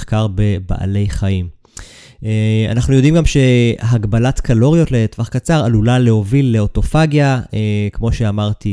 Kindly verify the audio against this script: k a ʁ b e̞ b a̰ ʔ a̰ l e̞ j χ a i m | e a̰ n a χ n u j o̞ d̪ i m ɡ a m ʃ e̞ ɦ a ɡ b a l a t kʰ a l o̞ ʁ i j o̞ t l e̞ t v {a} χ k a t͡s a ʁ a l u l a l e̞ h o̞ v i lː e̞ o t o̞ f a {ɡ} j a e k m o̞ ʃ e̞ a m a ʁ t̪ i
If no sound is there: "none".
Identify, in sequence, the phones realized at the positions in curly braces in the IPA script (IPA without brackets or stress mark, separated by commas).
a, ɡ